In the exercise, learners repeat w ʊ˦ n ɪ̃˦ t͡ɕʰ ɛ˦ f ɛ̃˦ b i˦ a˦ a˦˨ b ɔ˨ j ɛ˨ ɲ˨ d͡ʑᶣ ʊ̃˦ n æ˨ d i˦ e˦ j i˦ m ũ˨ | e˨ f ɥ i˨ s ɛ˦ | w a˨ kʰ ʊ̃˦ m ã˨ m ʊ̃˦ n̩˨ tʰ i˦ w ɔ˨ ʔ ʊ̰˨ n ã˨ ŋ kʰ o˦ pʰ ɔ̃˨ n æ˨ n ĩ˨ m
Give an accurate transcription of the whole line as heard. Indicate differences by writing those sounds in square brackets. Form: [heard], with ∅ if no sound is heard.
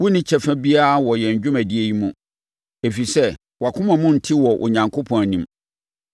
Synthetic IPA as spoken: w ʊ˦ n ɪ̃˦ t͡ɕʰ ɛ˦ f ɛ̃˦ b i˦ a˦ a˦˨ [w] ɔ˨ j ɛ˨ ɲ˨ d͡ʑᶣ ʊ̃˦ [m] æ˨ d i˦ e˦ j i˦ m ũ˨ | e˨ f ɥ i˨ s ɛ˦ | w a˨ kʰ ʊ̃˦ m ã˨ m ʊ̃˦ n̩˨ tʰ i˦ w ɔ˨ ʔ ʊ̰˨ [ɲ] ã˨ ŋ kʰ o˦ pʰ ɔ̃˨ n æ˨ n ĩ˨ m